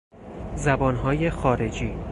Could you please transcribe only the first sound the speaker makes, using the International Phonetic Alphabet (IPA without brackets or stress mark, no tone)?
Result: z